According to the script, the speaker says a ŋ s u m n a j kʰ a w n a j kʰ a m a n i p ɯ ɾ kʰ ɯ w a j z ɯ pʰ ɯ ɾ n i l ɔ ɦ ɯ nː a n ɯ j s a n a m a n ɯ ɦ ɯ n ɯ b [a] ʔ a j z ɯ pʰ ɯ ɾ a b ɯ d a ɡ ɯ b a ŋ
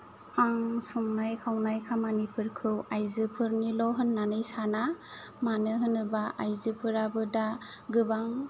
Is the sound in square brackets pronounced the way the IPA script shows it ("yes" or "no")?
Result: yes